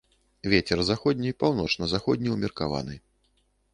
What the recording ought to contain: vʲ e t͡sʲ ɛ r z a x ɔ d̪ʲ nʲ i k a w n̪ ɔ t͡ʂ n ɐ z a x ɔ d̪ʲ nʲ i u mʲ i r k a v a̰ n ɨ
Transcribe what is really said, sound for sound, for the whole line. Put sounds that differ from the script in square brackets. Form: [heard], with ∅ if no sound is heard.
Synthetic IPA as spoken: vʲ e t͡sʲ ɛ r z a x ɔ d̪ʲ nʲ i [p] a w n̪ ɔ t͡ʂ n ɐ z a x ɔ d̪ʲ nʲ i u mʲ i r k a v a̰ n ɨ